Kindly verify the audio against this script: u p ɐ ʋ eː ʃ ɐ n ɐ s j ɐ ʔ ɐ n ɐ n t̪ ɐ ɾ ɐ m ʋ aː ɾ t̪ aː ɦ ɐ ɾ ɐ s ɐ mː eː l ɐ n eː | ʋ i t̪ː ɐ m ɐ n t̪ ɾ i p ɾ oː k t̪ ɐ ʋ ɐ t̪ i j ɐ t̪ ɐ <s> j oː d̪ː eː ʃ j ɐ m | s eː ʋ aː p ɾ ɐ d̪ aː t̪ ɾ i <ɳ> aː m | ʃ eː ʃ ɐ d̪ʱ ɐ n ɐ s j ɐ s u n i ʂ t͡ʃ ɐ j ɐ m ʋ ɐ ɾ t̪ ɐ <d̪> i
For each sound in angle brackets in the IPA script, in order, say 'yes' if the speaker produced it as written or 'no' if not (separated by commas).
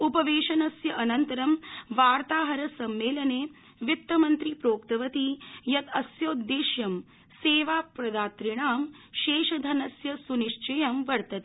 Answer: yes, yes, no